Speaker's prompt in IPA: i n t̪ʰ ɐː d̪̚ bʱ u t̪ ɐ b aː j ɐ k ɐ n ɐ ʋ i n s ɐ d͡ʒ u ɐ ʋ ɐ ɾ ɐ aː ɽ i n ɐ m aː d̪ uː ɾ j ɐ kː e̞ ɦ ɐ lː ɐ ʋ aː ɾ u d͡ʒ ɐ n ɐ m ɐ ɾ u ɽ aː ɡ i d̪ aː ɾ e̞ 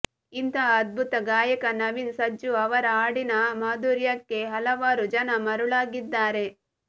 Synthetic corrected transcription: i n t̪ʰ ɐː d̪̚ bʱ u t̪ ɐ ɡ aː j ɐ k ɐ n ɐ ʋ i n s ɐ d͡ʒ u ɐ ʋ ɐ ɾ ɐ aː ɽ i n ɐ m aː d̪ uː ɾ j ɐ kː e̞ ɦ ɐ l ɐ ʋ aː ɾ u d͡ʒ ɐ n ɐ m ɐ ɾ u ɭ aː ɡ i d̪ː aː ɾ e̞